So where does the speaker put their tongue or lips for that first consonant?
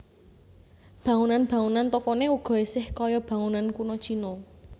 lips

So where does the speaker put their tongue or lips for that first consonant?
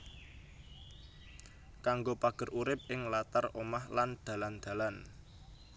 velum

